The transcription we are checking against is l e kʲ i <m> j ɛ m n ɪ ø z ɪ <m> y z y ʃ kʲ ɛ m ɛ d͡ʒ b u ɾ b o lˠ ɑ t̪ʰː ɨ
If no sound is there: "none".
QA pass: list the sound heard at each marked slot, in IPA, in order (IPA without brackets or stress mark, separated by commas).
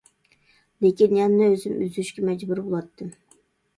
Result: n, m